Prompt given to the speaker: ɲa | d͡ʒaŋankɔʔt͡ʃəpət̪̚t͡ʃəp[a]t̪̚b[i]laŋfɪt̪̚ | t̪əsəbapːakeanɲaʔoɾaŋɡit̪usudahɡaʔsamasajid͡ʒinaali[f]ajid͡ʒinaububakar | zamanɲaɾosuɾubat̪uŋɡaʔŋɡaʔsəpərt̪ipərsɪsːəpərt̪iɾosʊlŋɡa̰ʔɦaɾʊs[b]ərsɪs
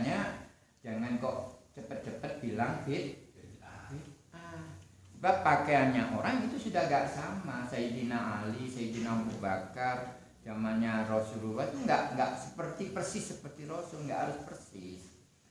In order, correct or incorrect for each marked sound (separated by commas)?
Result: incorrect, correct, incorrect, incorrect